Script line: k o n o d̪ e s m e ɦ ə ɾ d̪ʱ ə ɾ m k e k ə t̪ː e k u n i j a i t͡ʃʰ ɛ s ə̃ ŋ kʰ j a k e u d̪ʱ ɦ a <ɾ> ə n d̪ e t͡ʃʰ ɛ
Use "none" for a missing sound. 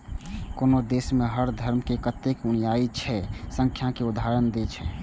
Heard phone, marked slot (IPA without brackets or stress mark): ɾ